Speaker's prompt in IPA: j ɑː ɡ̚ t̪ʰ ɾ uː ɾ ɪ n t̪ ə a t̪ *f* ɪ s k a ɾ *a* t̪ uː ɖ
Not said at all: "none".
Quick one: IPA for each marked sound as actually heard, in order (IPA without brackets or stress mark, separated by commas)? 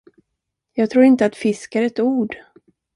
f, ɛ